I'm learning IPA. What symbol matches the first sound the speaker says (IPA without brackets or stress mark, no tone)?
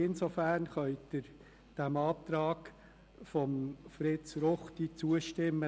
ɪ